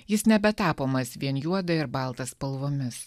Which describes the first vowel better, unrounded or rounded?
unrounded